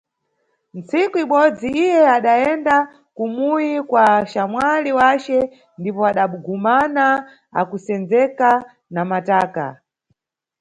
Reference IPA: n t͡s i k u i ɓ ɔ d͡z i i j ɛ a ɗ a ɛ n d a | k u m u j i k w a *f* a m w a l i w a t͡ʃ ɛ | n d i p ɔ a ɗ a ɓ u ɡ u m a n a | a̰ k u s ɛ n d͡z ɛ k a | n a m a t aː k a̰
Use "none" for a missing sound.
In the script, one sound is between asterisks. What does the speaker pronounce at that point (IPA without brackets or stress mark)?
ʃ